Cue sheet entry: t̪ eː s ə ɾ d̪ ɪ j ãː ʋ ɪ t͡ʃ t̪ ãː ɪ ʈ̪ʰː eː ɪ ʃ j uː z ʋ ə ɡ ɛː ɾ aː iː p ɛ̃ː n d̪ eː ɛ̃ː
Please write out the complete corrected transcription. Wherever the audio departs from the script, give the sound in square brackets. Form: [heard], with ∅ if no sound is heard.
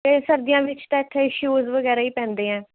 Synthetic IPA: t̪ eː s ə ɾ d̪ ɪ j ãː ʋ ɪ t͡ʃ t̪ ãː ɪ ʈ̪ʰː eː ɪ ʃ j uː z ʋ ə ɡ ɛː ɾ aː iː p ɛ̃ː n d̪ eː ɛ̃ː

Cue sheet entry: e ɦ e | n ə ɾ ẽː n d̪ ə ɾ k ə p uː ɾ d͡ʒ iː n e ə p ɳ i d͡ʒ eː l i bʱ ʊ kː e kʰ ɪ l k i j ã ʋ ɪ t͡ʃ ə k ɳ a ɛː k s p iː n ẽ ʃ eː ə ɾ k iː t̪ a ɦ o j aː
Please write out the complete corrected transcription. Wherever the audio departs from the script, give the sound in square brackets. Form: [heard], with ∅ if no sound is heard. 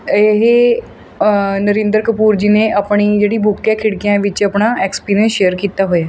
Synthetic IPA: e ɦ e | n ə ɾ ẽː n d̪ ə ɾ k ə p uː ɾ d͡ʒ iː n e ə p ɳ i d͡ʒ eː [ɽ] i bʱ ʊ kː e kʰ ɪ [ɽ] k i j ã ʋ ɪ t͡ʃ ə [p] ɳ a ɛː k s p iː n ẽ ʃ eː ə ɾ k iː t̪ a ɦ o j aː

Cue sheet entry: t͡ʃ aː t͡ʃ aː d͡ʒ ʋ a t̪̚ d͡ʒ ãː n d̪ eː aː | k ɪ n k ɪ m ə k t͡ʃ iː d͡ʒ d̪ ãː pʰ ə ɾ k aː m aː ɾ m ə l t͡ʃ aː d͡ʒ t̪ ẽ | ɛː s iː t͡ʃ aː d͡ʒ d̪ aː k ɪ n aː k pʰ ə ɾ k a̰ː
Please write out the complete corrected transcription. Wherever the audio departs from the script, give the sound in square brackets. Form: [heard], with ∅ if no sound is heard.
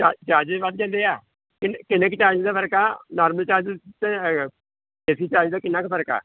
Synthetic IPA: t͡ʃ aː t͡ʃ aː d͡ʒ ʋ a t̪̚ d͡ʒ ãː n d̪ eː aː | k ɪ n k ɪ [n] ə k t͡ʃ [aː] d͡ʒ d̪ [aː] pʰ ə ɾ k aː [n] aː ɾ m ə l t͡ʃ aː d͡ʒ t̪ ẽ | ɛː s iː t͡ʃ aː d͡ʒ d̪ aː k ɪ n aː k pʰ ə ɾ k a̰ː

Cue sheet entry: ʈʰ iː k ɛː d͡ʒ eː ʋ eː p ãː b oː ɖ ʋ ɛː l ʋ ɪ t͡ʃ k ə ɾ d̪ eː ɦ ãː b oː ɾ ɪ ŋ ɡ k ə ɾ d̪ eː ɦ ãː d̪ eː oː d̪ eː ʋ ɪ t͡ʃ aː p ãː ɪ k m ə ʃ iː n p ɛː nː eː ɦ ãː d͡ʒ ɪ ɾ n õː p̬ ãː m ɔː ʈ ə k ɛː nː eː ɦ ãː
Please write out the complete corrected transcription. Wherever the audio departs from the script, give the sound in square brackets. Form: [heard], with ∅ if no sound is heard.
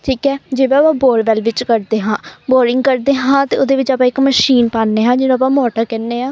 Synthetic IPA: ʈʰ iː k ɛː d͡ʒ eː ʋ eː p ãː b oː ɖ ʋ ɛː l ʋ ɪ t͡ʃ k ə ɾ d̪ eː ɦ ãː b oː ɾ ɪ ŋ ɡ k ə ɾ d̪ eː ɦ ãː [t̪] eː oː d̪ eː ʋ ɪ t͡ʃ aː p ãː ɪ k m ə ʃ iː n p [aː] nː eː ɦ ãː d͡ʒ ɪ [∅] n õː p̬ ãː m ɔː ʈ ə k ɛː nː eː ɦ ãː

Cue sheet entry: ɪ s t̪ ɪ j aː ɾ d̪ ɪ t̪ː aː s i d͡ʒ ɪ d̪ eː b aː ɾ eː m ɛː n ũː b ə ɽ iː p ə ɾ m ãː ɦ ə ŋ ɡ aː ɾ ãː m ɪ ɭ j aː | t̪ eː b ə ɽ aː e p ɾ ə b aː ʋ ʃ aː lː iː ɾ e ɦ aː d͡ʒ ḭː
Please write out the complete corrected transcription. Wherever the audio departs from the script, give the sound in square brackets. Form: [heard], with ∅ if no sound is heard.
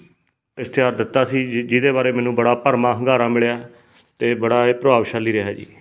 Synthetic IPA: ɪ s t̪ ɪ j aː ɾ d̪ ɪ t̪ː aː s [iː] d͡ʒ ɪ d̪ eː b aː ɾ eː m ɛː n ũː b ə ɽ [aː] p ə ɾ m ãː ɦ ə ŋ ɡ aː ɾ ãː m ɪ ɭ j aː | t̪ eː b ə ɽ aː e p ɾ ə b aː ʋ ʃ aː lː iː ɾ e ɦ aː d͡ʒ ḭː

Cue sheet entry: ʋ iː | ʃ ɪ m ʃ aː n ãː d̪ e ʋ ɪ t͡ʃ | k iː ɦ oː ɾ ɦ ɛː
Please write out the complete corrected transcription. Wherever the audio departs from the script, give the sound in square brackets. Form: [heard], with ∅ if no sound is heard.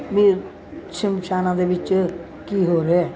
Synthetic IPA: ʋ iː | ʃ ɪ m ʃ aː n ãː d̪ e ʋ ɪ t͡ʃ | k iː ɦ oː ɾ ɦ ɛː

